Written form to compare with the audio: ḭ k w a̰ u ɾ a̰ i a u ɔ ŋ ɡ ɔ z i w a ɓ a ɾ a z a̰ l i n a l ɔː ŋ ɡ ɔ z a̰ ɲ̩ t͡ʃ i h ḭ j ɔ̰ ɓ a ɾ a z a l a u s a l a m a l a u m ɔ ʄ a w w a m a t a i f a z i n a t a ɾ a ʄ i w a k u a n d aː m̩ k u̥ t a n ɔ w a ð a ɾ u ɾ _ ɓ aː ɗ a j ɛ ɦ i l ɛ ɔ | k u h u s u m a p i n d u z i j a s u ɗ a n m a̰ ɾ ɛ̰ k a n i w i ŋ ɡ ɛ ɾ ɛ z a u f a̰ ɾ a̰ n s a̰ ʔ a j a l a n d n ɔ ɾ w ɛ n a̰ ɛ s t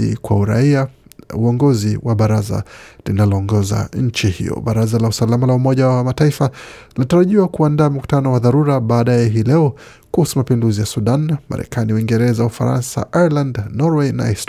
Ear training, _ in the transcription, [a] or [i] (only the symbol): a